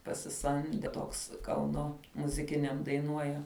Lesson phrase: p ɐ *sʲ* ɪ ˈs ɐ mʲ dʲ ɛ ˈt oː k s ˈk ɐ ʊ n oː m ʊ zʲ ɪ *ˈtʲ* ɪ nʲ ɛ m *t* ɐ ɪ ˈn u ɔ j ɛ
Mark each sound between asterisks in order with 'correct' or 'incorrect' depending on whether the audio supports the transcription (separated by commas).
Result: correct, incorrect, incorrect